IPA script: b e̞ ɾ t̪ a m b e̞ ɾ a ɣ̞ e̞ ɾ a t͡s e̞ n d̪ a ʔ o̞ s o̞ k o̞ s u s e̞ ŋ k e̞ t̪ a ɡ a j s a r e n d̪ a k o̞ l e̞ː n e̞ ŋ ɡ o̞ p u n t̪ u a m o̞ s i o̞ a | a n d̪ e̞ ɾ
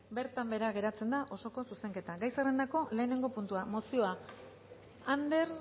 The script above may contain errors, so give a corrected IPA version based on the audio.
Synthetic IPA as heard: b e̞ ɾ t̪ a m b e̞ ɾ a ɣ̞ e̞ ɾ a t͡s e̞ n d̪ a ʔ o̞ s o̞ k o̞ s u s e̞ ŋ k e̞ t̪ a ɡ a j s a r e n d̪ a k o̞ l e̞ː n e̞ ŋ ɡ o̞ p u n t̪ u a m o̞ s i o̞ a | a n d̪ e̞ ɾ